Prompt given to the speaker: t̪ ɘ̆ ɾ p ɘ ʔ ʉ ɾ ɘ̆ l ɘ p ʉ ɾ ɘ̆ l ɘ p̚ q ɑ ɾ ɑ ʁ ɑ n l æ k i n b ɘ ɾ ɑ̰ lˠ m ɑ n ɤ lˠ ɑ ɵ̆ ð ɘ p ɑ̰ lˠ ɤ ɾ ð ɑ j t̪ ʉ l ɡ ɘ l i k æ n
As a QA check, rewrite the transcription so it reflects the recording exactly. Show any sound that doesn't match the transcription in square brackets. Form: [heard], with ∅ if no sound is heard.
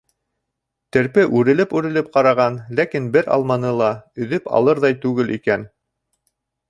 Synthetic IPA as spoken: t̪ ɘ̆ ɾ p ɘ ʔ ʉ ɾ ɘ̆ l ɘ p ʉ ɾ ɘ̆ l ɘ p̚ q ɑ ɾ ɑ ʁ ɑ n l æ k i n b ɘ ɾ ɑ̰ lˠ m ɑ n ɤ lˠ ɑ ɵ̆ ð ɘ p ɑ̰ lˠ ɤ ɾ ð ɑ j t̪ ʉ [∅] ɡ ɘ l i k æ n